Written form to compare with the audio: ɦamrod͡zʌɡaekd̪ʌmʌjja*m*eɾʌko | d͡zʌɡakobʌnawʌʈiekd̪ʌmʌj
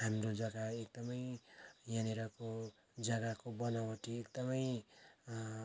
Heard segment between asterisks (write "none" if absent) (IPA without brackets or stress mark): n